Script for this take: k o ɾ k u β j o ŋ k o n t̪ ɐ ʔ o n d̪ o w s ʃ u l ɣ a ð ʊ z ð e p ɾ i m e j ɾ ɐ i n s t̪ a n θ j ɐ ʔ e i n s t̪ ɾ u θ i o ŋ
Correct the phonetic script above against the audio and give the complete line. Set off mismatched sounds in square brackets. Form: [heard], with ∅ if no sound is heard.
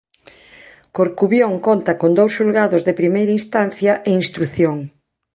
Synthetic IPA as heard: k o ɾ k u β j o ŋ k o n t̪ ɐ [k] o n d̪ o w s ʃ u l ɣ a ð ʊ z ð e p ɾ i m e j ɾ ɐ i n s t̪ a n θ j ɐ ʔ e i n s t̪ ɾ u θ [j] o ŋ